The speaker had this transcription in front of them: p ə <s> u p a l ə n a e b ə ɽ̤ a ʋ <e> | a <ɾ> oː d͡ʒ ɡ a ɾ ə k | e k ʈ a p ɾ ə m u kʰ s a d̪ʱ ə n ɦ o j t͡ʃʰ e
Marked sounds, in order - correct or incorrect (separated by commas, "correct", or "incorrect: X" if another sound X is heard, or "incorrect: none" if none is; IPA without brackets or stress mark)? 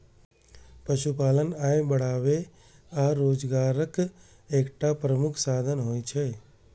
incorrect: ʃ, correct, correct